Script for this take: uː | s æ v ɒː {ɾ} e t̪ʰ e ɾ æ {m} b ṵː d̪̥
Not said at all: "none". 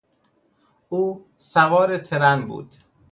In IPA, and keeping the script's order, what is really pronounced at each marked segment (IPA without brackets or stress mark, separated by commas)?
ɾ, n